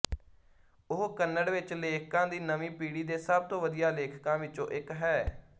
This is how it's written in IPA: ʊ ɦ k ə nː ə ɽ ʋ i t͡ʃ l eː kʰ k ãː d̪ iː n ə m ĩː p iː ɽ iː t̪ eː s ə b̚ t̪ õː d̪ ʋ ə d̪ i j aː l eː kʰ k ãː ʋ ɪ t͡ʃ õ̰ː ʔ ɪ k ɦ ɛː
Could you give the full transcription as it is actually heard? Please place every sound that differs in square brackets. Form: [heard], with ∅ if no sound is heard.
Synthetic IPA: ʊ ɦ k ə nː ə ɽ ʋ [ɪ] t͡ʃ l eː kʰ k ãː d̪ iː n ə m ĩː p iː ɽ iː [d̪] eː s ə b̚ t̪ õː [∅] ʋ ə d̪ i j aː l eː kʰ k ãː ʋ ɪ t͡ʃ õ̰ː ʔ ɪ k ɦ ɛː